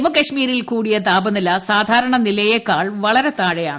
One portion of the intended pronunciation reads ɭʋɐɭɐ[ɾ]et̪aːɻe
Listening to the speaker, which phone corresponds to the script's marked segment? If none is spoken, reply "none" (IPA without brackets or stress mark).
ɾ